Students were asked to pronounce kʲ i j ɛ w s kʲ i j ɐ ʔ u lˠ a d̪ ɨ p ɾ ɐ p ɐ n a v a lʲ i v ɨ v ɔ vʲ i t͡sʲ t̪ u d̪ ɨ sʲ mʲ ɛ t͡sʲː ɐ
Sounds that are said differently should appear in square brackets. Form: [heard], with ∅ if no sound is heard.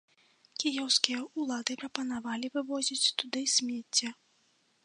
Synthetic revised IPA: kʲ i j ɛ w s kʲ i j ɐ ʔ u lˠ a d̪ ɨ p ɾ ɐ p ɐ n a v a lʲ i v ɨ v ɔ [zʲ] i t͡sʲ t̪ u d̪ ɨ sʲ mʲ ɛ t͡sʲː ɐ